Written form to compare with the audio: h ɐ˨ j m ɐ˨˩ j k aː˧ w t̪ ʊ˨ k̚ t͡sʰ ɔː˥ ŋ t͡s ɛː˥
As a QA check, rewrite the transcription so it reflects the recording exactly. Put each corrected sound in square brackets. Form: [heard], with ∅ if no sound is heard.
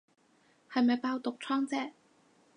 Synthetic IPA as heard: h ɐ˨ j m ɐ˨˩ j [p] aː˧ w t̪ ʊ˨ k̚ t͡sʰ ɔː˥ ŋ t͡s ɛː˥